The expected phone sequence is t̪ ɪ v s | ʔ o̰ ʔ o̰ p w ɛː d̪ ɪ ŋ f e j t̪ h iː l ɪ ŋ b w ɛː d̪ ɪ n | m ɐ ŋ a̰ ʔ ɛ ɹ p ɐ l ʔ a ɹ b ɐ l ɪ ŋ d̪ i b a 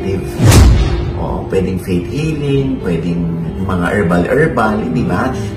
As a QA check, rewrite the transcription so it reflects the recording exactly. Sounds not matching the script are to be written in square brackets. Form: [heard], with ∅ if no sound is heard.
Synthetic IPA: t̪ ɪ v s | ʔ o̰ ʔ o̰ p w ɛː d̪ ɪ ŋ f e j t̪ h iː l ɪ ŋ [p] w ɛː d̪ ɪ [ŋ] | m ɐ ŋ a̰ ʔ ɛ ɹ [b] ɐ l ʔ [ɛ] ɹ b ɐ l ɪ [n] d̪ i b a